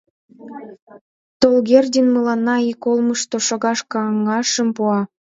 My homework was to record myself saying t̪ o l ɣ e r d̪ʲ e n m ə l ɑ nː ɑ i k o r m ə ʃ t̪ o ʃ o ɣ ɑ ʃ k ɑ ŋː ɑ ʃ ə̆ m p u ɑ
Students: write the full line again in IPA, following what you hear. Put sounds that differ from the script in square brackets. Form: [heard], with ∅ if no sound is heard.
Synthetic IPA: t̪ o l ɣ e r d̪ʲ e n m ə l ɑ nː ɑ i k o [l] m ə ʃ t̪ o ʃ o ɣ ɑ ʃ k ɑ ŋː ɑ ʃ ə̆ m p u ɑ